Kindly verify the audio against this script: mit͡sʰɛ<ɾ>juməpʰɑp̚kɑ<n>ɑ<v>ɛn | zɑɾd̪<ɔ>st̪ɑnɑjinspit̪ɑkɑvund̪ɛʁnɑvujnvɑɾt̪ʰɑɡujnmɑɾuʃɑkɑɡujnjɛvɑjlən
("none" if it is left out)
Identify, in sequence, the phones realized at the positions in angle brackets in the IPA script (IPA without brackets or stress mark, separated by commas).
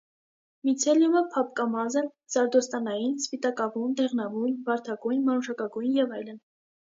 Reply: l, m, z, ɔ